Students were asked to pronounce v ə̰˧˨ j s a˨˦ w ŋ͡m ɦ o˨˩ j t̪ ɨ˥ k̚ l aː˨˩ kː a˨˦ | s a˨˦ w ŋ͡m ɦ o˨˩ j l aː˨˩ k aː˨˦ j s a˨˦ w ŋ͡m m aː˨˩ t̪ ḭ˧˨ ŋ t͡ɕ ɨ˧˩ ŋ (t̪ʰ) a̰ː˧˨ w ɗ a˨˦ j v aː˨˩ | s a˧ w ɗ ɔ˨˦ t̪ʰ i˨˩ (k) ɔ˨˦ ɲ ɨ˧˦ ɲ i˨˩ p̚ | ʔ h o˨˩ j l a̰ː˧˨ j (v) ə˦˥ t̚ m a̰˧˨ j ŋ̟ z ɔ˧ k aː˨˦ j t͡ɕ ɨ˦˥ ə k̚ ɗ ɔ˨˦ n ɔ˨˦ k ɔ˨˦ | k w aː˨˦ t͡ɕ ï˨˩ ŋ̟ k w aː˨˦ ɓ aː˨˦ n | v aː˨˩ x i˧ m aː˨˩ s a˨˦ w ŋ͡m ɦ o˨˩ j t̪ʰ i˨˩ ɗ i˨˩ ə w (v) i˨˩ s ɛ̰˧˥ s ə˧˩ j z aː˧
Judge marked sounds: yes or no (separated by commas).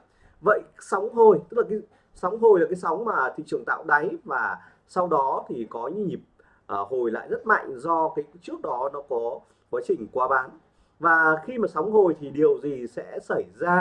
no, yes, no, no